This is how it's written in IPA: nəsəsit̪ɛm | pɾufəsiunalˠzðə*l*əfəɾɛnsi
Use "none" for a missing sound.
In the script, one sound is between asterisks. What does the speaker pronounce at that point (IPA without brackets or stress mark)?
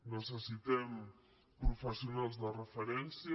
r